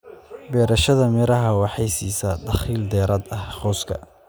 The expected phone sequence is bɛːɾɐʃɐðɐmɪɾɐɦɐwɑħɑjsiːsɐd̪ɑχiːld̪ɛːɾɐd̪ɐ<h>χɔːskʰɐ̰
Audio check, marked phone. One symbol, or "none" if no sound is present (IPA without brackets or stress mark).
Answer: h